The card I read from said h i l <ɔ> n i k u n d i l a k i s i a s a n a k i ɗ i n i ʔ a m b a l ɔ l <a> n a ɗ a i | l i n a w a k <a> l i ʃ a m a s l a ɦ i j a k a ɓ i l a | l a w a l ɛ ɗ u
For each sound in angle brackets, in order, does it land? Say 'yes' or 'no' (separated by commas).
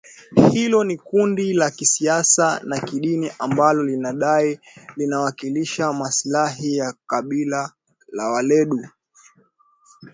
yes, no, no